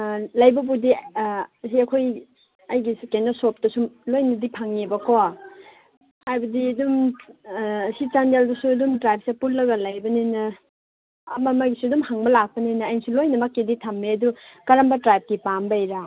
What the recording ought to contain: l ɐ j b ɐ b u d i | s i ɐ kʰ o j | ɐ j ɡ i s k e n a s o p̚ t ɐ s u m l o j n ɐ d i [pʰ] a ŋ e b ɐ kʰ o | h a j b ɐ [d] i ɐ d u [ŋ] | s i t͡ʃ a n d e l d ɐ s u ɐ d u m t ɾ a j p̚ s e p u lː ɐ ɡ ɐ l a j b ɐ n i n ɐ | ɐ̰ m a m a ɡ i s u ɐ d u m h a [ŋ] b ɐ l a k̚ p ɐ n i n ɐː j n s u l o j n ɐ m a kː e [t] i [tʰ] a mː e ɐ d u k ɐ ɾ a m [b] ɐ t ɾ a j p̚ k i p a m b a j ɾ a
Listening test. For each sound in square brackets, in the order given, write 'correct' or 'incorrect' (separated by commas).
correct, correct, incorrect, correct, incorrect, correct, correct